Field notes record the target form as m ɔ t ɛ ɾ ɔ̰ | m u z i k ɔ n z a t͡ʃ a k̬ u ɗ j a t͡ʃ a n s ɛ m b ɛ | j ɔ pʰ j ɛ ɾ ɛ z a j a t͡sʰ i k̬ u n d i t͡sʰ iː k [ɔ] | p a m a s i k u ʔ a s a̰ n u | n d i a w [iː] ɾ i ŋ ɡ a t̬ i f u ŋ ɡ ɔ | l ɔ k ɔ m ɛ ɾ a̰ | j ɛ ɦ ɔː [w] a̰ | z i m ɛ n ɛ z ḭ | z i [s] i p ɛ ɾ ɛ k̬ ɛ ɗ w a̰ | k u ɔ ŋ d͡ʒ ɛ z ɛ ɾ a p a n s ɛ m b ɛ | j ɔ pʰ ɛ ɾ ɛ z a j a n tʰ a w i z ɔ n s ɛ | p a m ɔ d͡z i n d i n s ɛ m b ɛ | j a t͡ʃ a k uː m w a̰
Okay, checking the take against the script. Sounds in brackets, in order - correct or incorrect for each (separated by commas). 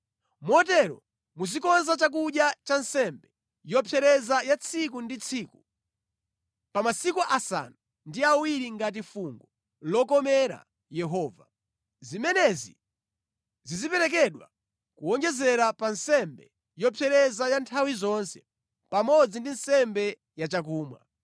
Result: incorrect, incorrect, incorrect, incorrect